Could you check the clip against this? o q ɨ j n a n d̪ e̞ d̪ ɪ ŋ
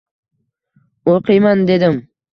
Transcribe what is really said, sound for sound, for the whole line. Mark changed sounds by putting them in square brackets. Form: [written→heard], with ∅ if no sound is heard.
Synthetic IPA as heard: o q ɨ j [n→m] a n d̪ e̞ d̪ ɪ [ŋ→m]